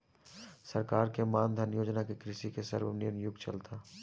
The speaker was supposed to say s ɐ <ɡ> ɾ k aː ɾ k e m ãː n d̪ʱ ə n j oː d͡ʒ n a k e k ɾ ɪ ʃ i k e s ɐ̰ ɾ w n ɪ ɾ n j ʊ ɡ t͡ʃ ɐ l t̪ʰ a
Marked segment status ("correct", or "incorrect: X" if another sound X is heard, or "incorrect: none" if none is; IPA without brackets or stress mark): incorrect: none